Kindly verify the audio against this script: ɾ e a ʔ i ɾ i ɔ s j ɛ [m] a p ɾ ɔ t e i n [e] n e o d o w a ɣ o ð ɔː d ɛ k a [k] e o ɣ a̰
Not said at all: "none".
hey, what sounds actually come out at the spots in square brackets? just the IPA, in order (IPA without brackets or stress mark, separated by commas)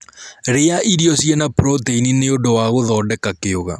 n, i, k